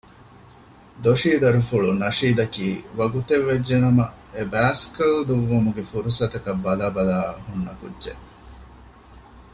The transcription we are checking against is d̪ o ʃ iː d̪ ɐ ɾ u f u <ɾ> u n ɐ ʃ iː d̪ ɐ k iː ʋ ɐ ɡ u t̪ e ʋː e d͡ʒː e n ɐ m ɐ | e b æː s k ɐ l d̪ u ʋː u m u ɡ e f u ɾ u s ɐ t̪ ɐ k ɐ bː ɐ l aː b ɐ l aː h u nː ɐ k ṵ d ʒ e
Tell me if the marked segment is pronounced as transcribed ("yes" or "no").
no